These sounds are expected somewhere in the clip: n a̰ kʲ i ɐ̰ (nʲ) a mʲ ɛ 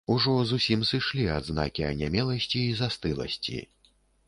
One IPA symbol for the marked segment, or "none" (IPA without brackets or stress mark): nʲ